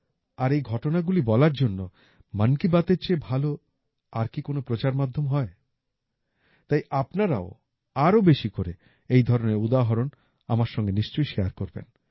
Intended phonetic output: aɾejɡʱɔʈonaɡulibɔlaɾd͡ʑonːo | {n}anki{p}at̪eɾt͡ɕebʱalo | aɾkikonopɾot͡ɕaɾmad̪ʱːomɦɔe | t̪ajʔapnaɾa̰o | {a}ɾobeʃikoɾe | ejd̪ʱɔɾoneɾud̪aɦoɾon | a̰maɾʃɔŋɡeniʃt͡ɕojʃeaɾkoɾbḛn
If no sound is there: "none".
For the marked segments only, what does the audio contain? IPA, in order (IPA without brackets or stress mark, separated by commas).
m, b, a